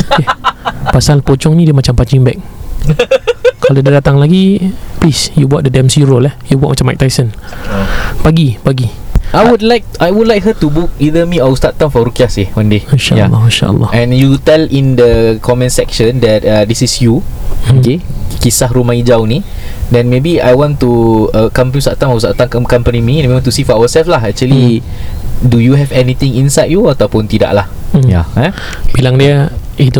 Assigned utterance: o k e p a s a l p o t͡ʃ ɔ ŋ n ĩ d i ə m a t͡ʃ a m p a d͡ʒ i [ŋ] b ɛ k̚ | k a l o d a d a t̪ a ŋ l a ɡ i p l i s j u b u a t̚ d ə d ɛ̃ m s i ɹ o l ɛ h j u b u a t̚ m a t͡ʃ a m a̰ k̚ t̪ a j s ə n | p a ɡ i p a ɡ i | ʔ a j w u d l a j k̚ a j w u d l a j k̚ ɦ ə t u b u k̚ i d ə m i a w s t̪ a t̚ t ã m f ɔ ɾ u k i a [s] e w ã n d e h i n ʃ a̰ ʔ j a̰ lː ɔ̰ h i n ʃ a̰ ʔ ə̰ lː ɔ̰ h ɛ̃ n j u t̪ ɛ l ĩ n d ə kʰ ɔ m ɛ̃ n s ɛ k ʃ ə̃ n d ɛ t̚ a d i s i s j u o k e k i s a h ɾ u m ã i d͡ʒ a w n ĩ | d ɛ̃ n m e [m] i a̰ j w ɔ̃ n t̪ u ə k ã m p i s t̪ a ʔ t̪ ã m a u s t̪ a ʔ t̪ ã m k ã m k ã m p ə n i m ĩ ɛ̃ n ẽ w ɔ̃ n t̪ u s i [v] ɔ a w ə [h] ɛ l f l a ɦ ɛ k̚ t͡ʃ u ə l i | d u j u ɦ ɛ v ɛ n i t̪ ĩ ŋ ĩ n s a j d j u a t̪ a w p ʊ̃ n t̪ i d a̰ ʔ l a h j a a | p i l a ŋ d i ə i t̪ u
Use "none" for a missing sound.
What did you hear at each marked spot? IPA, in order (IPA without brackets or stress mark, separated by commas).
ŋ, s, b, f, s